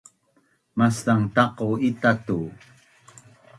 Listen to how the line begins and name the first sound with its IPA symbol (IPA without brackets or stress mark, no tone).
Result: m